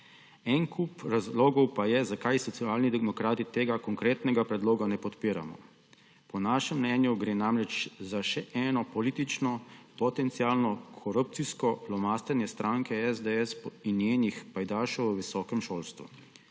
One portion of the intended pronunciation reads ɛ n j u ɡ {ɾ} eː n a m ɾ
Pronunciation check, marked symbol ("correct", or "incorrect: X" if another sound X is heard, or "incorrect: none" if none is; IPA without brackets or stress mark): correct